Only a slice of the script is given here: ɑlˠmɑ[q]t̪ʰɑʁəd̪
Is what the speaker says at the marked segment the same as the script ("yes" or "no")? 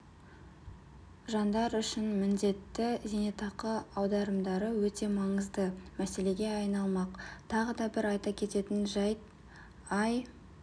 yes